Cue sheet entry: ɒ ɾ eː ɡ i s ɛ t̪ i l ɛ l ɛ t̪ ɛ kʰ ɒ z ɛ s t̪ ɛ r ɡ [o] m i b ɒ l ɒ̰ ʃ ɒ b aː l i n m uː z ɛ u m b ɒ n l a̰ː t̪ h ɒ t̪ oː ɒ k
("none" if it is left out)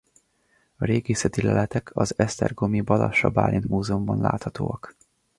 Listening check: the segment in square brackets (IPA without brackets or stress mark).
o